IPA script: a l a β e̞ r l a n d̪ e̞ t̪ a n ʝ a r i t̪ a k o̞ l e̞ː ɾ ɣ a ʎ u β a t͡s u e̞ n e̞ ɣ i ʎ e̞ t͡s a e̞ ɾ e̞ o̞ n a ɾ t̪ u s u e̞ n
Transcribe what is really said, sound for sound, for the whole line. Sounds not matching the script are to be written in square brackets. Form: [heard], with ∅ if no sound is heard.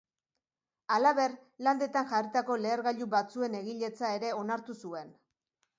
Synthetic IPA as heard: a l a β e̞ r l a n d̪ e̞ t̪ a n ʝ a r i t̪ a k o̞ l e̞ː ɾ ɣ a ʎ u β a t͡s u e̞ n e̞ ɣ i ʎ e̞ t͡s a e̞ ɾ e̞ o̞ n a ɾ t̪ u s u e̞ n